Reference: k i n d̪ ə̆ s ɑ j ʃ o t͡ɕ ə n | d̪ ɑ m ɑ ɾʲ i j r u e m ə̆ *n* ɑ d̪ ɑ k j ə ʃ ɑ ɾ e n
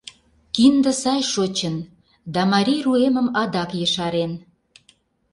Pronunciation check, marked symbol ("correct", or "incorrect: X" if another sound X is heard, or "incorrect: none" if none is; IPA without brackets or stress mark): incorrect: m